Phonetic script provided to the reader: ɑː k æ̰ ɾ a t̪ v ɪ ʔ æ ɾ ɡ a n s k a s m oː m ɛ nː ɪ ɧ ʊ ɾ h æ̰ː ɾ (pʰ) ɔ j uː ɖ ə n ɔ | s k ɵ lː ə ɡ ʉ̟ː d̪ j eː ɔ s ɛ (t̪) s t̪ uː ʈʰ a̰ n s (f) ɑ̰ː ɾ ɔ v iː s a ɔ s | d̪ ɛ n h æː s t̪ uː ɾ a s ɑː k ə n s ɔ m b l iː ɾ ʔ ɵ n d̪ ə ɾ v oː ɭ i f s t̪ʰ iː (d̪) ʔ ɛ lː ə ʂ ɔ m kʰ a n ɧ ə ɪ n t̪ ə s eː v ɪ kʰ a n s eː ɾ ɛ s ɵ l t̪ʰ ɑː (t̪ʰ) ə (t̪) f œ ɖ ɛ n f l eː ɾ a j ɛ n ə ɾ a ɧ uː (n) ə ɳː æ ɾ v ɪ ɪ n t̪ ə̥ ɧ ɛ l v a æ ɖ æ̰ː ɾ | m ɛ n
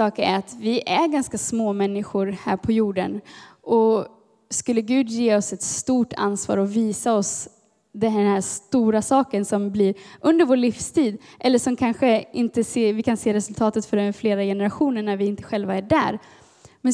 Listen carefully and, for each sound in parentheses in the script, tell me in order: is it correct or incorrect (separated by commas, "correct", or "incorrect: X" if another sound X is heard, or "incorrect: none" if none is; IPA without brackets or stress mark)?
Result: correct, correct, incorrect: v, correct, incorrect: t̪, correct, correct